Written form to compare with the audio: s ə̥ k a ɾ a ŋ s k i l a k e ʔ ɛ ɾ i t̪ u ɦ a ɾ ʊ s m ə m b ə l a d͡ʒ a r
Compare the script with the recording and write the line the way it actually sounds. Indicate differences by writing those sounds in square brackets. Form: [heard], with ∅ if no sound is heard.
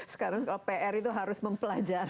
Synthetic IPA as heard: s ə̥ k a ɾ a ŋ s k [a] l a [p] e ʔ ɛ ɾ i t̪ u ɦ a ɾ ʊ s m ə m [p] ə l a d͡ʒ a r